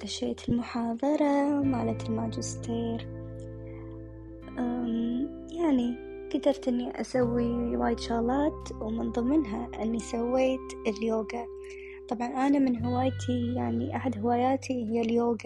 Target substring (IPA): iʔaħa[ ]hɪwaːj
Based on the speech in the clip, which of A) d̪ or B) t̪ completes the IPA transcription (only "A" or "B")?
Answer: A